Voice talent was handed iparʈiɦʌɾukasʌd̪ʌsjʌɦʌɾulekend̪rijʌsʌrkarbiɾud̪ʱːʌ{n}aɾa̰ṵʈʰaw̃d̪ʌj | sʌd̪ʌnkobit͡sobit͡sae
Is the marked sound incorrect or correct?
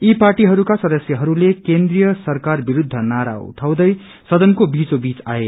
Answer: correct